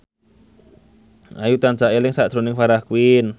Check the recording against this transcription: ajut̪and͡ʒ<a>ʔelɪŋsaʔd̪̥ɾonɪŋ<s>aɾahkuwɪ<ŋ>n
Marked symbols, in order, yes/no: yes, no, no

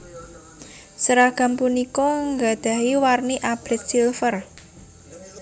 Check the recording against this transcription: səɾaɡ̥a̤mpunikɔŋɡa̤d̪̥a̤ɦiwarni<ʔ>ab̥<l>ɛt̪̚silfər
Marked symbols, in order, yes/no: yes, no

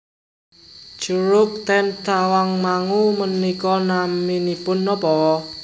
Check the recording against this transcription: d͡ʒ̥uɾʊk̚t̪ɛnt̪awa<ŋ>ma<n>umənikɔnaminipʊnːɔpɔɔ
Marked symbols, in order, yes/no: yes, no

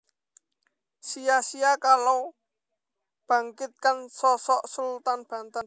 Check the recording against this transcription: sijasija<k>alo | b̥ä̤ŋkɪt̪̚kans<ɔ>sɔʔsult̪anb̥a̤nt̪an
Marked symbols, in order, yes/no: yes, yes

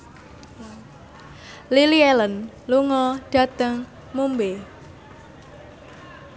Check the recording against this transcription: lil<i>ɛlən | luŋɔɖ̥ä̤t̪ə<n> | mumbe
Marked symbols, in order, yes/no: yes, no

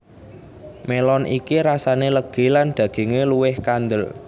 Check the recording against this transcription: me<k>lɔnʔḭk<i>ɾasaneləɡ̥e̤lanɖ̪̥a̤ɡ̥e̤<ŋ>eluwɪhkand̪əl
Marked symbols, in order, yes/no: no, yes, yes

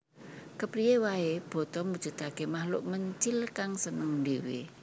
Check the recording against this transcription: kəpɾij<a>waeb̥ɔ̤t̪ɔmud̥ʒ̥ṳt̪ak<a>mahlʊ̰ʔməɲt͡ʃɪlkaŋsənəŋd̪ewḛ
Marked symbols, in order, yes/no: no, no

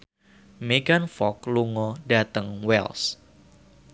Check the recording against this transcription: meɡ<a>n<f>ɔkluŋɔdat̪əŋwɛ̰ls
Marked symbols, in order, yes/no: yes, yes

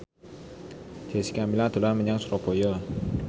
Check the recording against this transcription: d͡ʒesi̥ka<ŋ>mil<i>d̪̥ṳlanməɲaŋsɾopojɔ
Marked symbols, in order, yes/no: no, no

